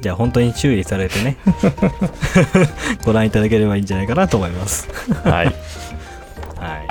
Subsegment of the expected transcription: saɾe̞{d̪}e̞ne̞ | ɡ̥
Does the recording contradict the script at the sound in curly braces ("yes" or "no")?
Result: yes